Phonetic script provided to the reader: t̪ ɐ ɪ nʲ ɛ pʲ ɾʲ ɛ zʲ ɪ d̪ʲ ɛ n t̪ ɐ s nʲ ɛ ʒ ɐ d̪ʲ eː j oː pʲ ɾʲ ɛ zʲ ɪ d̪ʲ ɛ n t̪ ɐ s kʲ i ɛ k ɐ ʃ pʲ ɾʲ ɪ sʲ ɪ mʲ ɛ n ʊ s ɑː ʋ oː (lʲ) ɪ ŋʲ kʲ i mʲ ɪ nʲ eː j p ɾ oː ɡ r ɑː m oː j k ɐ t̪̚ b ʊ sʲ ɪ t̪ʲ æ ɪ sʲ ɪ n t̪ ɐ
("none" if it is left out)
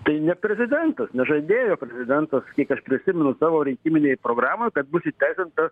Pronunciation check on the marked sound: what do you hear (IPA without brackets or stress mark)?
ɾʲ